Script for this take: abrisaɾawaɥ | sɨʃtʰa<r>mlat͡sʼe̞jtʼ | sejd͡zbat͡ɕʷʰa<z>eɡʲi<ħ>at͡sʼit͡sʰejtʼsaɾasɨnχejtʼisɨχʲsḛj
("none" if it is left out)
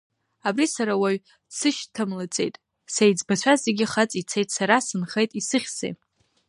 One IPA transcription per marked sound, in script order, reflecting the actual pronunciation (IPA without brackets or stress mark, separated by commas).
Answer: none, z, χ